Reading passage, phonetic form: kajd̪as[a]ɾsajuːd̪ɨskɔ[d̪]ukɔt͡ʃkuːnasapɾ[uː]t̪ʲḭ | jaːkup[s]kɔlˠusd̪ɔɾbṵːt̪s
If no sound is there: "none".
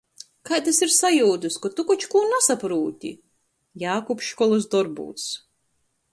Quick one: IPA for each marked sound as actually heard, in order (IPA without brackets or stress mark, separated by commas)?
i, t̪, uː, ʃ